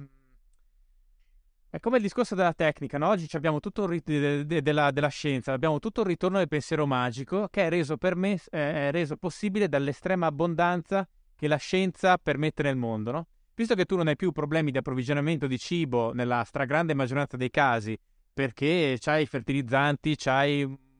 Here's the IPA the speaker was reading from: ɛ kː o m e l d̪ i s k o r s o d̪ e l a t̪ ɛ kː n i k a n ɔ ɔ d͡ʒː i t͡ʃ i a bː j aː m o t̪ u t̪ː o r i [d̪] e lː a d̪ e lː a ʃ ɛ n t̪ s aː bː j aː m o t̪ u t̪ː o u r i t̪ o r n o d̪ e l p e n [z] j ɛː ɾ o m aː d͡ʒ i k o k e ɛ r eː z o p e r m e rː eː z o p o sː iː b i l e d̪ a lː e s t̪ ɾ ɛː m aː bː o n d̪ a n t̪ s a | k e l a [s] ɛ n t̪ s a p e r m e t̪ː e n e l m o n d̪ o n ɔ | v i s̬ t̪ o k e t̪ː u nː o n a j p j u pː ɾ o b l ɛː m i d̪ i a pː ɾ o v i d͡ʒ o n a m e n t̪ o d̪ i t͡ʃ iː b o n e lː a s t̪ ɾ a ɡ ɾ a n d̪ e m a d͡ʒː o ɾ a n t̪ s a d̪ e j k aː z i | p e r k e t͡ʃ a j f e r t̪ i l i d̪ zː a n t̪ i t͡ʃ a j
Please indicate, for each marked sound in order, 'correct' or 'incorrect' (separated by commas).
correct, incorrect, incorrect